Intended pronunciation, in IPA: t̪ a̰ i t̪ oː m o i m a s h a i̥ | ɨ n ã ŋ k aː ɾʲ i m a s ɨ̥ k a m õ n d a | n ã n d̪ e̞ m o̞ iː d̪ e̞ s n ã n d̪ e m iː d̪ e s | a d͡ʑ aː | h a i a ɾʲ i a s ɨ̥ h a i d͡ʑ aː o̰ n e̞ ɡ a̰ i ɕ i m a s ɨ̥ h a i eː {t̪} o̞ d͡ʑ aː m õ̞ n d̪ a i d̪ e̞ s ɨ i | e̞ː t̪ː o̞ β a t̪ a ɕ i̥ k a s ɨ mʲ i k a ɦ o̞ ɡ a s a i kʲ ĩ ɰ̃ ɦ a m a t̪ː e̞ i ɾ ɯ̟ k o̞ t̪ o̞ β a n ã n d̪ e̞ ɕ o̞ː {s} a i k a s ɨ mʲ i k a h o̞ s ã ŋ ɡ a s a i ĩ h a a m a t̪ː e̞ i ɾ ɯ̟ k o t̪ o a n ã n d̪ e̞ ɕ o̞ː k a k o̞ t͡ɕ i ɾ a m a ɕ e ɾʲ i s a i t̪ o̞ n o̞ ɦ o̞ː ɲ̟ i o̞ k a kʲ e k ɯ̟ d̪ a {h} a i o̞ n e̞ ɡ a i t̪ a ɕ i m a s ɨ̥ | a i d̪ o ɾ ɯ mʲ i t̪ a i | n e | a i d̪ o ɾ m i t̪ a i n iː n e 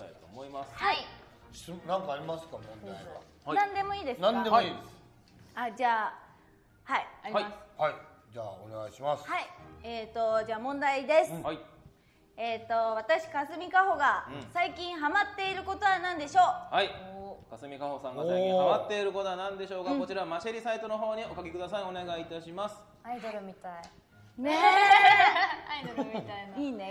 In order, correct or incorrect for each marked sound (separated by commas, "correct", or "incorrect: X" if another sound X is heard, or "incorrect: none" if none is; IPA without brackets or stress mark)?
correct, incorrect: h, incorrect: s